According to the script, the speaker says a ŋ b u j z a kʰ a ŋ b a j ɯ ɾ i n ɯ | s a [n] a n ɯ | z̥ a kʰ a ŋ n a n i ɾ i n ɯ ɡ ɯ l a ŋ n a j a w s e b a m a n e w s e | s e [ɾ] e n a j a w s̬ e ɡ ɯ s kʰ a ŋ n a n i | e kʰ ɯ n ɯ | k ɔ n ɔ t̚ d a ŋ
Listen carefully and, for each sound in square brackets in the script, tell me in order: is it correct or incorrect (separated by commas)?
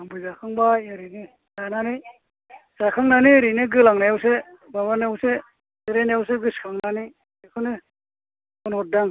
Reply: correct, correct